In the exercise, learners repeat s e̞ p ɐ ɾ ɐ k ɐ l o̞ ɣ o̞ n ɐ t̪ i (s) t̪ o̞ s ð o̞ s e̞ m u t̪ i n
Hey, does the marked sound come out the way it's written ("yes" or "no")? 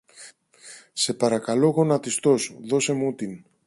yes